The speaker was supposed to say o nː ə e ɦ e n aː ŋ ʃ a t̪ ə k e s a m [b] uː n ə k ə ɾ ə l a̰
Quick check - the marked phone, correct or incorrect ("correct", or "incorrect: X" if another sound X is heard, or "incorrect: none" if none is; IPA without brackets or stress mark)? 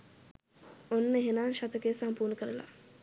incorrect: p